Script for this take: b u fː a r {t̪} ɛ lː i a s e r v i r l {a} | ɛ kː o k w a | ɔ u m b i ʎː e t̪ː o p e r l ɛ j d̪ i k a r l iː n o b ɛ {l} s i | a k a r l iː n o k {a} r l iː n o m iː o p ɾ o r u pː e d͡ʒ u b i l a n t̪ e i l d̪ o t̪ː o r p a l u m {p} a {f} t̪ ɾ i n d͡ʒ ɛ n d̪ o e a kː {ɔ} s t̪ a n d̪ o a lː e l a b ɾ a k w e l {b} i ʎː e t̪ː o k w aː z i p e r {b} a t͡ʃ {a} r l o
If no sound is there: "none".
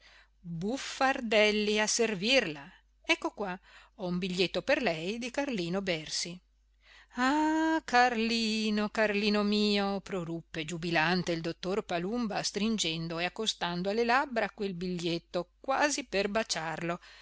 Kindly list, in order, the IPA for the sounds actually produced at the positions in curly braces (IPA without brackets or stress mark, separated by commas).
d̪, a, r, a, b, s, o, b, b, a